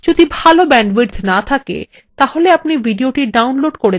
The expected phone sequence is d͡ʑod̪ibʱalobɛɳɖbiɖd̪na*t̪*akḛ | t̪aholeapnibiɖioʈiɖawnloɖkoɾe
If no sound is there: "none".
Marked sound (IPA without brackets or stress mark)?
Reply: t̪ʰ